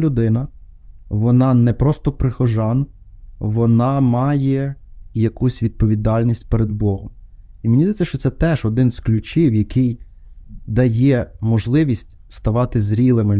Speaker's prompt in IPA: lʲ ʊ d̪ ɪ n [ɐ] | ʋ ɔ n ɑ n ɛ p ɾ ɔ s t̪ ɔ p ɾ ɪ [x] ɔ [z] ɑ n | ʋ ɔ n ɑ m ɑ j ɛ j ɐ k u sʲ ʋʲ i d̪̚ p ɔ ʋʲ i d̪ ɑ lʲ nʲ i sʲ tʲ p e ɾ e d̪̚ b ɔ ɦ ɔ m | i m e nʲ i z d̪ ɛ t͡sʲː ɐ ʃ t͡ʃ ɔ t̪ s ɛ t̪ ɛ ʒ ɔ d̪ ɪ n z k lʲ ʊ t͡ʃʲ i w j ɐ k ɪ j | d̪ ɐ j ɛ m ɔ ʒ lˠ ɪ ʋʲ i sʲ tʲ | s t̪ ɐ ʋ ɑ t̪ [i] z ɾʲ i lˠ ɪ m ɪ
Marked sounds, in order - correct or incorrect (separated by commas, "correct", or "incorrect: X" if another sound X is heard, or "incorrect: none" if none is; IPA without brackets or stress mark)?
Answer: correct, correct, incorrect: ʒ, incorrect: ɪ